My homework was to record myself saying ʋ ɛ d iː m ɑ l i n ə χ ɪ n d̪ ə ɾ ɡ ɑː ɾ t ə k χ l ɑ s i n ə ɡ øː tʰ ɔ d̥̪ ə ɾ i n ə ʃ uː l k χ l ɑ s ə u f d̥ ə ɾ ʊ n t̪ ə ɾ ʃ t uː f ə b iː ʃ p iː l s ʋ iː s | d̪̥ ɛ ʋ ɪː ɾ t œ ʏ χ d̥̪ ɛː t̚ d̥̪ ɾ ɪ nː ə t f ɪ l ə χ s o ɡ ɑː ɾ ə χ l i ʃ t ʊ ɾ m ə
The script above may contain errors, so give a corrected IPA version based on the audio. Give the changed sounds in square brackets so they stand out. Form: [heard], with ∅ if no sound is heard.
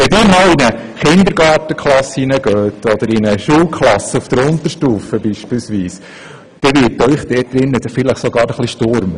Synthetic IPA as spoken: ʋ ɛ d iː m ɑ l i n ə χ ɪ n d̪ ə ɾ ɡ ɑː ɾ t ə k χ l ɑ s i n ə ɡ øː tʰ ɔ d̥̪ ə ɾ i n ə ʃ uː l k χ l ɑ s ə u f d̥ ə ɾ ʊ n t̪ ə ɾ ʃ t uː f ə b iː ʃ p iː l s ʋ iː s | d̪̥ ɛ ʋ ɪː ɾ t œ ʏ χ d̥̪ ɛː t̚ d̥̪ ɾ ɪ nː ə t f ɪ l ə χ s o ɡ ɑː ɾ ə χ l i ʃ t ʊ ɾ m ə